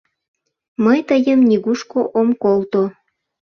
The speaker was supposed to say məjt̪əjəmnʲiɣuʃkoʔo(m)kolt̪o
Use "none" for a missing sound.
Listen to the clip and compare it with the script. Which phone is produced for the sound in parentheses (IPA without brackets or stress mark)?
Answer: m